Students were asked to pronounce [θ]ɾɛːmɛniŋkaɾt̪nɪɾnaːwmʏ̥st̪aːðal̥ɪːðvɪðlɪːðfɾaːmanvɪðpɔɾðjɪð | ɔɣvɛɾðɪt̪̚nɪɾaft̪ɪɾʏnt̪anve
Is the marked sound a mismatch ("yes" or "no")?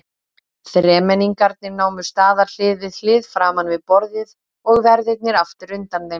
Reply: no